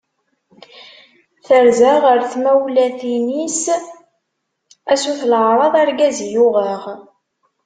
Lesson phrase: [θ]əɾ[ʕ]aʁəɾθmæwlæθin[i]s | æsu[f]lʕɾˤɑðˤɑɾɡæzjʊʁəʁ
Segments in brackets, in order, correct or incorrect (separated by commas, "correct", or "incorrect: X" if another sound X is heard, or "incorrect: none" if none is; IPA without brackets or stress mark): correct, incorrect: z, correct, incorrect: θ